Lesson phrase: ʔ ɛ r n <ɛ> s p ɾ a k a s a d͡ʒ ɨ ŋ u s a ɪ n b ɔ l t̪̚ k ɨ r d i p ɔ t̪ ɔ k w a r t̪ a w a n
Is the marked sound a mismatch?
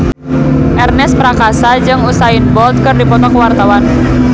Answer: no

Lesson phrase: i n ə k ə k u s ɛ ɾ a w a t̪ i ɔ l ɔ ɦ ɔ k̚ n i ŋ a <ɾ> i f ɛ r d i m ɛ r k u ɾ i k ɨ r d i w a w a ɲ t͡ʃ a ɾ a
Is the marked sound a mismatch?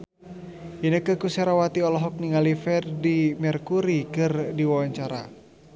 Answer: yes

